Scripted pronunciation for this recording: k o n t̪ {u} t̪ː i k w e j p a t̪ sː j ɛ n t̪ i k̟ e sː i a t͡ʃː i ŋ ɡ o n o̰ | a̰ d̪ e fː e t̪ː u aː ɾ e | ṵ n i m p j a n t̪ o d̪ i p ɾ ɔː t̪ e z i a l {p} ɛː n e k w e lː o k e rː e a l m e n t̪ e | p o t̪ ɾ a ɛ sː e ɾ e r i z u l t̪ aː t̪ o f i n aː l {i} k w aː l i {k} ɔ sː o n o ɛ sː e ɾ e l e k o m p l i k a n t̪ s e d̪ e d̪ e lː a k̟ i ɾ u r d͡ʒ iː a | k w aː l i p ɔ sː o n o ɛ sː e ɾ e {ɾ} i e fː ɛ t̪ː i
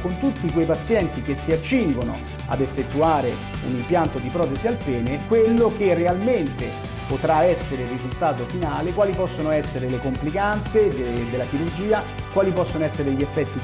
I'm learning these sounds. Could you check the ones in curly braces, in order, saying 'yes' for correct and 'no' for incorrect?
yes, yes, no, no, no

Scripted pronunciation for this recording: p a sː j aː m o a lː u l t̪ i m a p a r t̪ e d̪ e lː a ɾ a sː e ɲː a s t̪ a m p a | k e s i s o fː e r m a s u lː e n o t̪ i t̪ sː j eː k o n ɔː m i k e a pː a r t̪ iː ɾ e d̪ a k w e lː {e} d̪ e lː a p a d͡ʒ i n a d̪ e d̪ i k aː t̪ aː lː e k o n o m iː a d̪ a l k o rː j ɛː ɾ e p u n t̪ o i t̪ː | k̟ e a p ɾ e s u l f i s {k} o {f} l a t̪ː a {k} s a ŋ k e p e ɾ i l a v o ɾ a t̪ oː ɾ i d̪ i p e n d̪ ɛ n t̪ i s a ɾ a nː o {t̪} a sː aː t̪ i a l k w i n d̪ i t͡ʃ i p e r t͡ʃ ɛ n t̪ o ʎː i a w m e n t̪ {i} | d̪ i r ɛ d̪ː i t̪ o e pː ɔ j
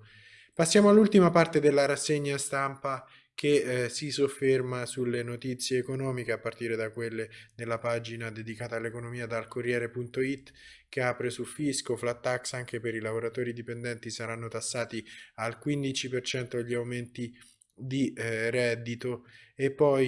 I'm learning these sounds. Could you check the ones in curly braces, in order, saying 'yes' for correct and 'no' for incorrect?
yes, yes, yes, yes, yes, yes

